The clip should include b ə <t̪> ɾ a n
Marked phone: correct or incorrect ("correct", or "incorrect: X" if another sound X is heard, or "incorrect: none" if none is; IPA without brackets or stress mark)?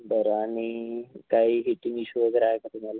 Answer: incorrect: none